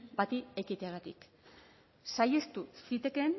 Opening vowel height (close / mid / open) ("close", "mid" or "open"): open